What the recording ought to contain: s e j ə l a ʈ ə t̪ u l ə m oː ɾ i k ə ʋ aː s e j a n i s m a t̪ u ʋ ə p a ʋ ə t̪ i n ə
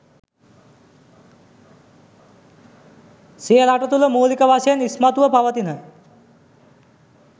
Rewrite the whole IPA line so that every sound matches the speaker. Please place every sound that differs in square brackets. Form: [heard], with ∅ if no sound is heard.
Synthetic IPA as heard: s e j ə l a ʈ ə t̪ u l ə m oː [l] i k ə ʋ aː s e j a n i s m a t̪ u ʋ ə p a ʋ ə t̪ i n ə